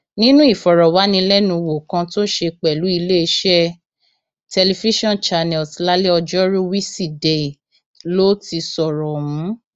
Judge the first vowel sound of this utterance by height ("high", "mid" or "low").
high